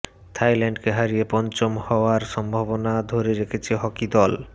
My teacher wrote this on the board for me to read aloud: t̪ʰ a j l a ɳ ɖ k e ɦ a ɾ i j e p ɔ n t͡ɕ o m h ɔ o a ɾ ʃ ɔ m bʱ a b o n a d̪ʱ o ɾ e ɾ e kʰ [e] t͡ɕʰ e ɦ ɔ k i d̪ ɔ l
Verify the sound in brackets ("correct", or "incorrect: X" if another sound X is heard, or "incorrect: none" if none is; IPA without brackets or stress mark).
correct